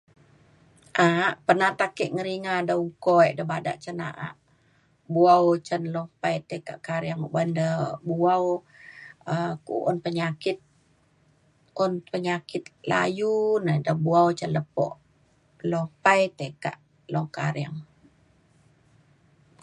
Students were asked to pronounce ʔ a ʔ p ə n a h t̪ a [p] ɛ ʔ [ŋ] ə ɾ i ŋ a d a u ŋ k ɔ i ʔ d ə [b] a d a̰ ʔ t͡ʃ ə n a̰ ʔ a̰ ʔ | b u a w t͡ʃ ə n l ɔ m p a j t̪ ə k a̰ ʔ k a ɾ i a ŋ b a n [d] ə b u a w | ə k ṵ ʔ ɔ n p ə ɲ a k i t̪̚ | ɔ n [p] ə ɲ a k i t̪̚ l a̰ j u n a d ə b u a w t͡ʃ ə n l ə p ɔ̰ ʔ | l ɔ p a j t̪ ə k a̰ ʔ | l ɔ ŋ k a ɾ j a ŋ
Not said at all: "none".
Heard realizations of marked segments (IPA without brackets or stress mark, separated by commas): k, ŋ, b, d, p